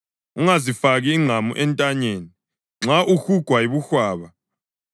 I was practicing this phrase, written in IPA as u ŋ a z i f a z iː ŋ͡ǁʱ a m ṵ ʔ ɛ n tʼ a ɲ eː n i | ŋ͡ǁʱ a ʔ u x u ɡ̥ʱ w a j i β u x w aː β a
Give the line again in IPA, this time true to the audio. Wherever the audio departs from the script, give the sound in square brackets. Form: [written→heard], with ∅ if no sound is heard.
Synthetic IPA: u ŋ a z i f a [z→ɣ] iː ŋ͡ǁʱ a m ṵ ʔ ɛ n tʼ a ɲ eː n i | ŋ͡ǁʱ a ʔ u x u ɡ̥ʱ w a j i β u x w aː β a